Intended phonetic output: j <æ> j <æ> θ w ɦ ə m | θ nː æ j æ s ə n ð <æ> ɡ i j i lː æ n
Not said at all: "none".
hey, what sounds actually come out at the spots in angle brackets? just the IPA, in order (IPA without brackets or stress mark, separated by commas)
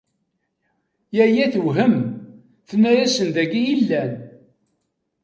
æ, æ, æ